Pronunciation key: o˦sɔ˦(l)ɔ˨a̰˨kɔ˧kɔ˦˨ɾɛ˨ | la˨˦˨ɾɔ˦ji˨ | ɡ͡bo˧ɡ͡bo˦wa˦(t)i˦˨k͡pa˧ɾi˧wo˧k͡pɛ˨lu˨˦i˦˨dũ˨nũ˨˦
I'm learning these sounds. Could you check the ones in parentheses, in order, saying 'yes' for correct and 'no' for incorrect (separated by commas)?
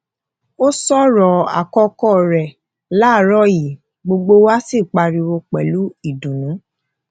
no, no